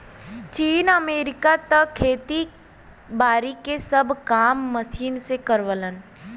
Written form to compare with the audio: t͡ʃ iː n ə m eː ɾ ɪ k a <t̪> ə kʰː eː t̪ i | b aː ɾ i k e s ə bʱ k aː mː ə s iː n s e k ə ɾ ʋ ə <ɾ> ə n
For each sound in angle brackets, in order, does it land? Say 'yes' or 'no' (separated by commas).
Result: yes, no